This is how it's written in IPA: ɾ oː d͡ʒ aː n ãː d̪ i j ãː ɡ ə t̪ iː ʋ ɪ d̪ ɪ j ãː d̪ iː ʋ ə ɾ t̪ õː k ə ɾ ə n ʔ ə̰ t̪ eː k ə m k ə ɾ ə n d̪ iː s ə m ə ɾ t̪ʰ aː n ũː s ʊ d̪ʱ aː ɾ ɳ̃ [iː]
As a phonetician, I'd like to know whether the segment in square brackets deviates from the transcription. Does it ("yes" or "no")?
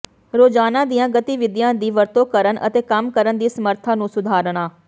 yes